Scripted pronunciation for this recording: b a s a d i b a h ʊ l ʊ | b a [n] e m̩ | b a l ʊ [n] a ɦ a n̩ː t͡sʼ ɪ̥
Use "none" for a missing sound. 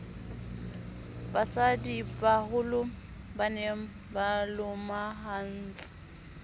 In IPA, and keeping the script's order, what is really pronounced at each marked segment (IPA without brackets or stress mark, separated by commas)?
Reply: n, m